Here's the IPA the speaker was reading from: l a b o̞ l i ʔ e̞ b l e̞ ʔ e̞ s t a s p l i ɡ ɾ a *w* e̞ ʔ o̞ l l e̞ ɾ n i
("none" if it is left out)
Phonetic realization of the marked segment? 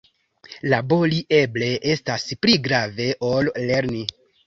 v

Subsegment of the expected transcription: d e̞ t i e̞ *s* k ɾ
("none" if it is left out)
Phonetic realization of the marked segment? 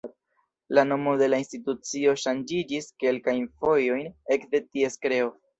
s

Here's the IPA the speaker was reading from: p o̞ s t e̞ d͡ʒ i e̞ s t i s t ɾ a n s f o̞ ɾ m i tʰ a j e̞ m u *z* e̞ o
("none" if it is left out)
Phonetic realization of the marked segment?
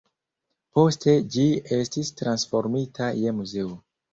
z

